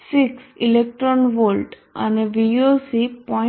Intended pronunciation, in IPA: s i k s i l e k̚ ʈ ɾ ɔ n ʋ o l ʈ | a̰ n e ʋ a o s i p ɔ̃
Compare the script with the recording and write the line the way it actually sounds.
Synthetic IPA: s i k s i l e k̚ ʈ ɾ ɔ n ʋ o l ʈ | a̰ n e ʋ i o s i p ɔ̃